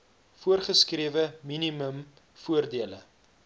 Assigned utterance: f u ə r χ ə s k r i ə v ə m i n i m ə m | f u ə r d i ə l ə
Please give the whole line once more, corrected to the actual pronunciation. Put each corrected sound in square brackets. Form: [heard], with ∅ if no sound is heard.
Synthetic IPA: f u ə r χ ə s k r i ə v ə m i n i m ə m | f u ə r d i ə l ə